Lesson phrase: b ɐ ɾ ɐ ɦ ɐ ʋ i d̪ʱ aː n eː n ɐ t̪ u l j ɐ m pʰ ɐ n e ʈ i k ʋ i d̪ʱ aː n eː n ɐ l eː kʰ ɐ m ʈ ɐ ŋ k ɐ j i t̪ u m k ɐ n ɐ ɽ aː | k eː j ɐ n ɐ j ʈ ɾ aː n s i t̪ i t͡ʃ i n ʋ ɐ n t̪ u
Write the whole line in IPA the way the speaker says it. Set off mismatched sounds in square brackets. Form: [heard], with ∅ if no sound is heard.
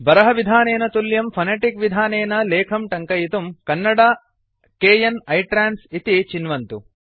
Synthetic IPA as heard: b ɐ ɾ ɐ ɦ ɐ ʋ i d̪ʱ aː n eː n ɐ t̪ u l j ɐ m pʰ ɐ n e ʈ i k ʋ i d̪ʱ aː n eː n ɐ l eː kʰ ɐ m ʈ ɐ ŋ k ɐ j i t̪ u m k ɐ [nː] ɐ ɽ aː | k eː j ɐ n ɐ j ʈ ɾ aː n s i t̪ i t͡ʃ i n ʋ ɐ n t̪ u